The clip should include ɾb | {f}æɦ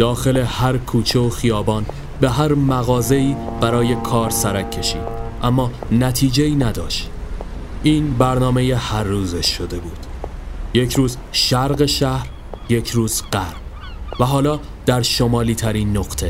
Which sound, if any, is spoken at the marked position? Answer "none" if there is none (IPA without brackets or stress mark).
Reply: v